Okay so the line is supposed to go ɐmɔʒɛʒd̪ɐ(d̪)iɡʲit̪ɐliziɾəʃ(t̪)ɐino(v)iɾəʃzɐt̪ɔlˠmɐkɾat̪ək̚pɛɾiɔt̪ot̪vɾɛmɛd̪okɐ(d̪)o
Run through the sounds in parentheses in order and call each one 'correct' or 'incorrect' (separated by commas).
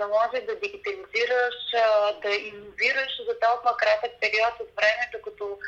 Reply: correct, incorrect, correct, incorrect